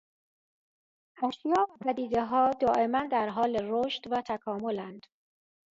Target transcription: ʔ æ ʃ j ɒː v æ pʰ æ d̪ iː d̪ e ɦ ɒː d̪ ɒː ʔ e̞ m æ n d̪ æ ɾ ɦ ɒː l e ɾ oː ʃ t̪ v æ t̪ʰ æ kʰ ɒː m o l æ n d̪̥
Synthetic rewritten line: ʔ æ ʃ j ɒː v æ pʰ æ d̪ iː d̪ e ɦ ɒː d̪ ɒː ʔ e̞ m æ n d̪ æ ɾ ɦ ɒː l e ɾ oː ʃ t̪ v æ t̪ʰ æ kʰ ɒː m o l æ n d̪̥